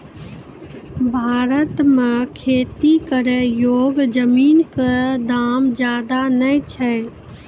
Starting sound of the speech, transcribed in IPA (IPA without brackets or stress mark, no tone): bʱ